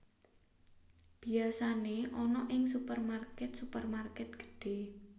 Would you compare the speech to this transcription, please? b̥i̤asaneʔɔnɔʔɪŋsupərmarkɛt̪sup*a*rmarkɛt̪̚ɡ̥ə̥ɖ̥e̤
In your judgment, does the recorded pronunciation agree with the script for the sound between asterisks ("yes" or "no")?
no